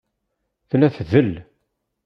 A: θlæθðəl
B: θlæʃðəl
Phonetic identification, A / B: A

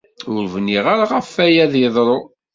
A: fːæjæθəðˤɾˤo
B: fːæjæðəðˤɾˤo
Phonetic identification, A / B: B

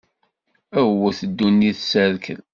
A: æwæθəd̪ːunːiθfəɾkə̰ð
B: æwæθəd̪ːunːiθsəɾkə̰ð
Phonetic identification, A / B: B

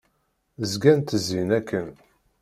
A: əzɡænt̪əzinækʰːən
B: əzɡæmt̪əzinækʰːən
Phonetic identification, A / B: A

